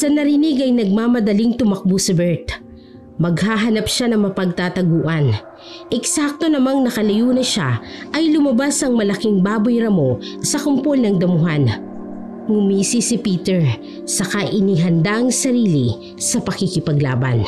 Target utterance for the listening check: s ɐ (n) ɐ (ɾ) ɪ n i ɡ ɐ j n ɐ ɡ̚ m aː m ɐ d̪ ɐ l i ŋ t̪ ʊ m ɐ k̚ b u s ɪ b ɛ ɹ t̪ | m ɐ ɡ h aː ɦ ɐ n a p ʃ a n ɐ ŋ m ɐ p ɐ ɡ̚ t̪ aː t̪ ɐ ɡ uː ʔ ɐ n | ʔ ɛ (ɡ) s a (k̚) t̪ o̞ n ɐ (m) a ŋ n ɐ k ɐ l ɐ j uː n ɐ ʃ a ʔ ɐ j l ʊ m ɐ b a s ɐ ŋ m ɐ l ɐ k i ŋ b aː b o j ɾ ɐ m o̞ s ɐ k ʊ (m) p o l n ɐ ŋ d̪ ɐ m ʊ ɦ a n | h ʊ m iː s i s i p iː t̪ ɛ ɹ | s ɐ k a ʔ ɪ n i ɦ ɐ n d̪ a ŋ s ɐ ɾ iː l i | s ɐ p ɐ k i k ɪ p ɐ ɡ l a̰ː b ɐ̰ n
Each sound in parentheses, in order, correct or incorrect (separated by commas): correct, correct, incorrect, correct, correct, correct